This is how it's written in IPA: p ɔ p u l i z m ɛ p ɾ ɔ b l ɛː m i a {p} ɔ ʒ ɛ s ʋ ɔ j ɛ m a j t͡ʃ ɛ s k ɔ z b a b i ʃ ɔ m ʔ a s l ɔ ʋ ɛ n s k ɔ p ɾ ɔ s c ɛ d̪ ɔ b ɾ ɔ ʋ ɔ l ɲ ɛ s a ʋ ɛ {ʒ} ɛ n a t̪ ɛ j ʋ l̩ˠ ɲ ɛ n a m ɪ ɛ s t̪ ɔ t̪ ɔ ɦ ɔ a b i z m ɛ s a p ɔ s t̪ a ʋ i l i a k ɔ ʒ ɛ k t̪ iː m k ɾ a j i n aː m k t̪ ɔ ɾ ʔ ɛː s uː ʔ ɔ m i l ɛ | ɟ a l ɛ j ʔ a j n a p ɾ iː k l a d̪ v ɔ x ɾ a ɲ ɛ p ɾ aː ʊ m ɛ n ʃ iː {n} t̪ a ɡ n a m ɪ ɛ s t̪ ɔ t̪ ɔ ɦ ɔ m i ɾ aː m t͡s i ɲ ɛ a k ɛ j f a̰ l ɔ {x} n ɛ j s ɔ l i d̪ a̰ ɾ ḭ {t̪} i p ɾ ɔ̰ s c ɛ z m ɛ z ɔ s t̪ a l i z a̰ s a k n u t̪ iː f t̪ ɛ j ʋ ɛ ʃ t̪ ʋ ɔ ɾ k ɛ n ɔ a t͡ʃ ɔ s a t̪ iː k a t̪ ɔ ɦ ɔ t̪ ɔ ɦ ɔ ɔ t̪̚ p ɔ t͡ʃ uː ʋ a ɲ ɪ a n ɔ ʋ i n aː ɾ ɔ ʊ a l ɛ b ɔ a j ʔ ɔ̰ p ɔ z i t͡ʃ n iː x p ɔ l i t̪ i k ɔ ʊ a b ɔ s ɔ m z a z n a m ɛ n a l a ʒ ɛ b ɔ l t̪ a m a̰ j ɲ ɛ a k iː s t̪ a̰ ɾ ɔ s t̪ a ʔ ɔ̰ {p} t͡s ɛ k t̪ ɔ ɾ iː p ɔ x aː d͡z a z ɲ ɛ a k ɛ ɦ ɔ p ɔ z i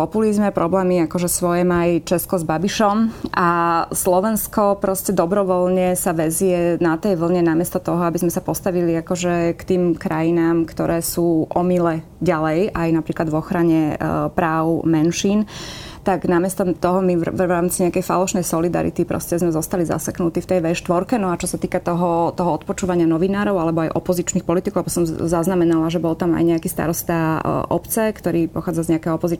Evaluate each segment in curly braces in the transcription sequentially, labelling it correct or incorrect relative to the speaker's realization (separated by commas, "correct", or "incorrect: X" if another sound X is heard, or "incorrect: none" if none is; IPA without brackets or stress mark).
incorrect: k, incorrect: z, correct, incorrect: ʃ, correct, correct